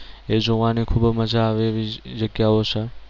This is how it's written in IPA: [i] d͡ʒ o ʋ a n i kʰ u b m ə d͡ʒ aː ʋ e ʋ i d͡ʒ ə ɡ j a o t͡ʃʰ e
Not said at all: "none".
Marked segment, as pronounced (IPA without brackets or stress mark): e